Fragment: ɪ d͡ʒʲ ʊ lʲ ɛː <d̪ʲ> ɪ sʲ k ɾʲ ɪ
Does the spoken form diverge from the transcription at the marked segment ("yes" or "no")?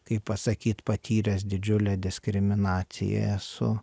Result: no